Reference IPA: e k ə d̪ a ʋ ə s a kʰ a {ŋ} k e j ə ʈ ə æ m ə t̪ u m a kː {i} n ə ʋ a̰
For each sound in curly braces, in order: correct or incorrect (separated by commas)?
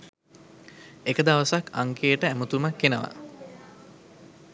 correct, incorrect